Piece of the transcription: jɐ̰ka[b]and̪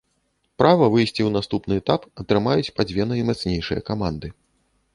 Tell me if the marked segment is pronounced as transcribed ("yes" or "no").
no